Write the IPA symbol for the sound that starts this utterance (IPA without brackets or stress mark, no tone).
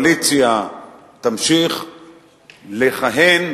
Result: l